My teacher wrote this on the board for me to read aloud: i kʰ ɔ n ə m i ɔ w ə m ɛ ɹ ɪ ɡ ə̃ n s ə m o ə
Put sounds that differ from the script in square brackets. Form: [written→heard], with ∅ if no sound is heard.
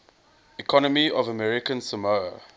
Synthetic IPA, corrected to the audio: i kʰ ɔ n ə m i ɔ [w→v] ə m ɛ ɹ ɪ [ɡ→k] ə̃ n s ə m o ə